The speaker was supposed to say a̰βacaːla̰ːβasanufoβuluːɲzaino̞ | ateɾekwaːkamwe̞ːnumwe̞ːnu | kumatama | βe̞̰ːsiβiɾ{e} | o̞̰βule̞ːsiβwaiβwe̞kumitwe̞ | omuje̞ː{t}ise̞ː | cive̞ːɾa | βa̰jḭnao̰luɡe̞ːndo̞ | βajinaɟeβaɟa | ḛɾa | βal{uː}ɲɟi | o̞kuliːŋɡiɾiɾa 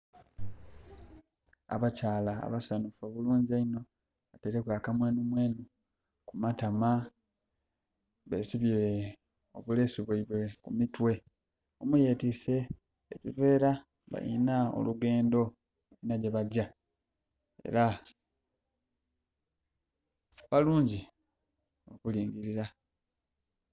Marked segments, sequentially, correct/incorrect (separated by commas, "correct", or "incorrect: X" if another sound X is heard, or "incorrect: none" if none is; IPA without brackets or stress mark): correct, correct, correct